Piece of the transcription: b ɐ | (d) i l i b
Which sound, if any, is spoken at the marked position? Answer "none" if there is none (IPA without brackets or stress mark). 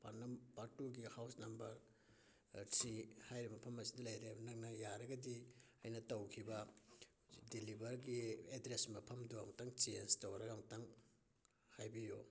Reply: d